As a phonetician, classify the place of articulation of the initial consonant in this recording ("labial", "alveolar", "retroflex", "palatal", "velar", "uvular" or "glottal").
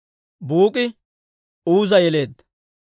labial